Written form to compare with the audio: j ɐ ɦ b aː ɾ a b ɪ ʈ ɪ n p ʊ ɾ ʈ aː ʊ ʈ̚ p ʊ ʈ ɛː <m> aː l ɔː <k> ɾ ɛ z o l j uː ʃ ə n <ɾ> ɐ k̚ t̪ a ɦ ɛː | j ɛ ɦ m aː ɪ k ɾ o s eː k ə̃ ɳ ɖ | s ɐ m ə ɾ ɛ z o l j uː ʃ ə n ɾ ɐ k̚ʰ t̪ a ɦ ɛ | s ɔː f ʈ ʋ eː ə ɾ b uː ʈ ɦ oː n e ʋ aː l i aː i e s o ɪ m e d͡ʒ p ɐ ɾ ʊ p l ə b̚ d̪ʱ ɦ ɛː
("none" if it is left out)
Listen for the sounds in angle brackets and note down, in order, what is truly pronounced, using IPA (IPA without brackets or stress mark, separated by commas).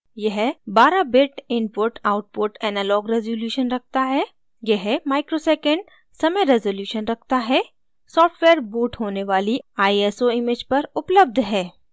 n, ɡ, ɾ